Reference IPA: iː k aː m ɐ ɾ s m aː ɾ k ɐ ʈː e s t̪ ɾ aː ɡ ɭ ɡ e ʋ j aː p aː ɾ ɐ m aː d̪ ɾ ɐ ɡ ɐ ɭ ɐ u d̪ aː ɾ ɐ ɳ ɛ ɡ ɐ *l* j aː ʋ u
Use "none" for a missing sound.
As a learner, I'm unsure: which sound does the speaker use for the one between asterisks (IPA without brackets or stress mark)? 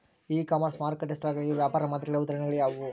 ɭ